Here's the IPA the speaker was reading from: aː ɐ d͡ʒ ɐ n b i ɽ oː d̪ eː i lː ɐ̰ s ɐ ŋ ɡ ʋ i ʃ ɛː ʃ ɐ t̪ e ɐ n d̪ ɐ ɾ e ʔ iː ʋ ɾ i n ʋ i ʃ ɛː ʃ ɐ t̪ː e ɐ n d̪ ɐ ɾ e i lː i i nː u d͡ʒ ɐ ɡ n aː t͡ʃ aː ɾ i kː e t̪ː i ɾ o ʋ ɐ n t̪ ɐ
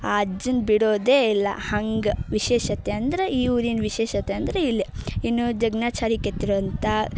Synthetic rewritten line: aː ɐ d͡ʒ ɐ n b i ɽ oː d̪ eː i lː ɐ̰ h ɐ ŋ ɡ ʋ i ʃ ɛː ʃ ɐ t̪ e ɐ n d̪ ɐ ɾ e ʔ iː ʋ ɾ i n ʋ i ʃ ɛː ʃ ɐ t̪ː e ɐ n d̪ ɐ ɾ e i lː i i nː u d͡ʒ ɐ ɡ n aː t͡ʃ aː ɾ i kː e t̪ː i ɾ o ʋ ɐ n t̪ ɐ